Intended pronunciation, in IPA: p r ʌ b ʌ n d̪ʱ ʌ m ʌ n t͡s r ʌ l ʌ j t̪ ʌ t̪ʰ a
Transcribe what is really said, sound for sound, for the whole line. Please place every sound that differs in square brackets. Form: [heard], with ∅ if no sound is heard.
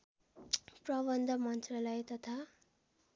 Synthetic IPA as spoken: p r ʌ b ʌ n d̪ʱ ʌ m ʌ n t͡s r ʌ l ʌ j t̪ ʌ t̪ʰ a